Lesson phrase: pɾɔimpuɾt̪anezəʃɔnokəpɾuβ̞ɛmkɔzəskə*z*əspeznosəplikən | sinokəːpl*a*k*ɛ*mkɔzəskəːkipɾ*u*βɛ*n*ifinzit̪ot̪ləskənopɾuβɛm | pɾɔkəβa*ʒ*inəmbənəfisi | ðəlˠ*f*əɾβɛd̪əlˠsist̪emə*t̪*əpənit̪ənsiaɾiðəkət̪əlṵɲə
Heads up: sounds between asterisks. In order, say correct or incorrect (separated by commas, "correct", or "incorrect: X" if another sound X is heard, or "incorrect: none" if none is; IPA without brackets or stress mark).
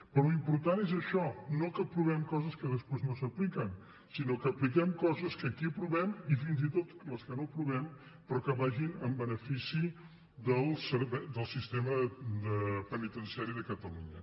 incorrect: ð, incorrect: i, correct, correct, incorrect: m, correct, incorrect: s, incorrect: d̪